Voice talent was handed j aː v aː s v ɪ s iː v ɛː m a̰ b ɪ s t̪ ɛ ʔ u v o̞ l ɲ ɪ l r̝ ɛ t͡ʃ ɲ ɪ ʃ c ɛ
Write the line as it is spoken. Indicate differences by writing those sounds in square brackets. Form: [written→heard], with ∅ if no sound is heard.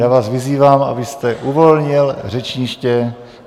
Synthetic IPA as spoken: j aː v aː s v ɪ [s→z] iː v [ɛː→aː] m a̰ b ɪ s t̪ ɛ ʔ u v o̞ l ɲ ɪ l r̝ ɛ t͡ʃ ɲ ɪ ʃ c ɛ